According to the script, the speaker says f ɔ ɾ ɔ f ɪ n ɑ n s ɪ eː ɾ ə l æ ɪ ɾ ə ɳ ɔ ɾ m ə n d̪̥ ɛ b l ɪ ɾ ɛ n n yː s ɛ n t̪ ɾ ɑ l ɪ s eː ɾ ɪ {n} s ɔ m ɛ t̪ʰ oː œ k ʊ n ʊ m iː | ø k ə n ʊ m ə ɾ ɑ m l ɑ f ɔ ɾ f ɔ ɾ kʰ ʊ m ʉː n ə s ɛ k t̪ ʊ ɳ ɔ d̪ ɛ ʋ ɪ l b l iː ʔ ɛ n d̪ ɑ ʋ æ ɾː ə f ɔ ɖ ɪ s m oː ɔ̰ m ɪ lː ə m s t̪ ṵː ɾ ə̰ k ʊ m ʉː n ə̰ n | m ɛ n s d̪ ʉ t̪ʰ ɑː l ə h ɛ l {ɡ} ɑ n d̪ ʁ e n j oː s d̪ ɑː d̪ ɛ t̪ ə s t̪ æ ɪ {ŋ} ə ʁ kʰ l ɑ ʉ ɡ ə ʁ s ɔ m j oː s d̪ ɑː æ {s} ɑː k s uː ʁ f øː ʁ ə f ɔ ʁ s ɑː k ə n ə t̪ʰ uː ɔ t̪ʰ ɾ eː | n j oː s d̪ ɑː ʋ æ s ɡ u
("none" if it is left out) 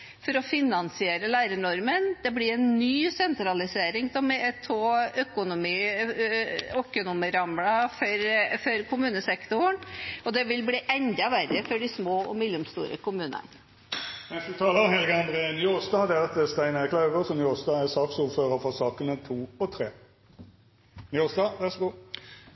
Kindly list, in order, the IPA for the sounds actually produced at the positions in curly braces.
ŋ, ɡ, n, s

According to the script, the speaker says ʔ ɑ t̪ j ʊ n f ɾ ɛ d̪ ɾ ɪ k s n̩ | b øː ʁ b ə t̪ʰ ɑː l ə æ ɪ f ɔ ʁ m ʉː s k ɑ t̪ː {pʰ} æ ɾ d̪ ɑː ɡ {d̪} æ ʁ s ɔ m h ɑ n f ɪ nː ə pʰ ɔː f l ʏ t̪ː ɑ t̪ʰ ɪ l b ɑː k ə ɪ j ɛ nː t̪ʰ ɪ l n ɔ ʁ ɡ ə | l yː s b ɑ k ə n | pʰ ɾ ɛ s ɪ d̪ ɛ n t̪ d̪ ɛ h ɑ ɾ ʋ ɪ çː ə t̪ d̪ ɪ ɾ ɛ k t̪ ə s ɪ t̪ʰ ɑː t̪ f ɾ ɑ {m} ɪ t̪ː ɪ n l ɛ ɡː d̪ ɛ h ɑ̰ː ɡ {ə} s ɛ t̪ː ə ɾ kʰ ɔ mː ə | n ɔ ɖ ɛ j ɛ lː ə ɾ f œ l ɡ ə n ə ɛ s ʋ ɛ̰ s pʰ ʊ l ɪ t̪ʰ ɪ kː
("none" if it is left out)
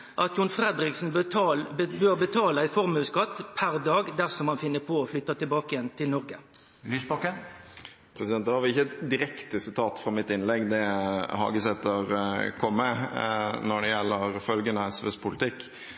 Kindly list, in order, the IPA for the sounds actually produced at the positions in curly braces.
pʰ, d̪, m, ə

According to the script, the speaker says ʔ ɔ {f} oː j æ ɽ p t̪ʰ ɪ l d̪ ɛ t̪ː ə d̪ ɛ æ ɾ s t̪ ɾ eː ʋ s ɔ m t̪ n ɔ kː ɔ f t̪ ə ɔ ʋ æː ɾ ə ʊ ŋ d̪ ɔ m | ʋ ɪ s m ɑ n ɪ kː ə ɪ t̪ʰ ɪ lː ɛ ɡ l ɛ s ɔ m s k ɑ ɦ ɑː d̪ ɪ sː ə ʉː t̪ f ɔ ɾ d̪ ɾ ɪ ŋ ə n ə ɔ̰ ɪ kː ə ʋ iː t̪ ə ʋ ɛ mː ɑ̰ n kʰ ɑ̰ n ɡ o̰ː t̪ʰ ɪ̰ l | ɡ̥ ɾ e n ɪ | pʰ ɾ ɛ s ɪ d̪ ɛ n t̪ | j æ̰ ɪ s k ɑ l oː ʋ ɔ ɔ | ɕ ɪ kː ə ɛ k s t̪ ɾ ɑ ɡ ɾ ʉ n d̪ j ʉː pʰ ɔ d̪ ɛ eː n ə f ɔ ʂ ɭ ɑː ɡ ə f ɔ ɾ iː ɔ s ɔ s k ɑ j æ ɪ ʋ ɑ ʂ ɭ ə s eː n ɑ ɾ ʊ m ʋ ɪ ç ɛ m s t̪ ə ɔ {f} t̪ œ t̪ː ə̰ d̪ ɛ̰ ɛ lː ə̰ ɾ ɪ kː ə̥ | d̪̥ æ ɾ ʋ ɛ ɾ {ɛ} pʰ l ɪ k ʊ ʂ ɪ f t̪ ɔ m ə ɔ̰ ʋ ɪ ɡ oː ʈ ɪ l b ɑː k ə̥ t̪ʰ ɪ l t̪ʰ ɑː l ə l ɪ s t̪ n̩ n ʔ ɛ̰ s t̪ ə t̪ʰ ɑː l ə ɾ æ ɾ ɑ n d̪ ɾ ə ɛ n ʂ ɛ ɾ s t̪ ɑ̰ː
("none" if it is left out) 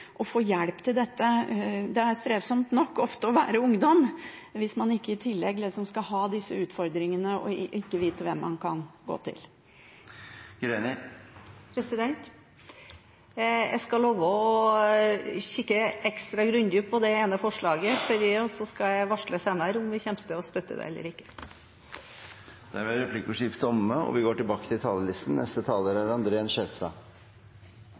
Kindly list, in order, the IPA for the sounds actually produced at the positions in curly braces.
f, s, ɛ

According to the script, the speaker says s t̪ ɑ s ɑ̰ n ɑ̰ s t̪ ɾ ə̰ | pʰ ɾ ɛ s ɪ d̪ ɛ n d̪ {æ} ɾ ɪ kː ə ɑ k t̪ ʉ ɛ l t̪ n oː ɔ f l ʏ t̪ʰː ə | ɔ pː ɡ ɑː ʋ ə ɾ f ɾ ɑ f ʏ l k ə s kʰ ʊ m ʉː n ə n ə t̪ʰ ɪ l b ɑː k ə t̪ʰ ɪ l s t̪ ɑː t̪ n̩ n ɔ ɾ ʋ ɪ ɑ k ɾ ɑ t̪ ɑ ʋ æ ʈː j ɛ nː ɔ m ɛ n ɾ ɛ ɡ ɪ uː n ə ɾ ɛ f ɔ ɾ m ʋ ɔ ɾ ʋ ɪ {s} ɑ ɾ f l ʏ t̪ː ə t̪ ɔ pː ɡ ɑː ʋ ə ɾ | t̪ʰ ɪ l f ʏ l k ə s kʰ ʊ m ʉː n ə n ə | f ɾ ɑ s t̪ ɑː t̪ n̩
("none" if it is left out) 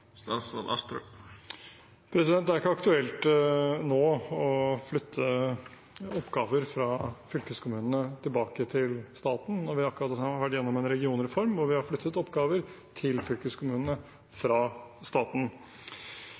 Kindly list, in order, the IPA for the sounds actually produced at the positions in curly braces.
æ, h

